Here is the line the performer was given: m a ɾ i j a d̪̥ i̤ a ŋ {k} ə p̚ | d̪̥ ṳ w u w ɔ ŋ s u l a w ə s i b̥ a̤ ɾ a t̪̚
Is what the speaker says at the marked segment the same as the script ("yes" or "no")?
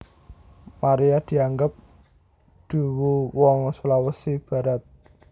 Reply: no